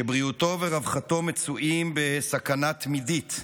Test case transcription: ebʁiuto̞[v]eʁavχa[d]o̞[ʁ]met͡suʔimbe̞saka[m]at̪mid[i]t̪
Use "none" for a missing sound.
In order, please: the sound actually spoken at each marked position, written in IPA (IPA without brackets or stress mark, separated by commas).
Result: v, t, none, n, i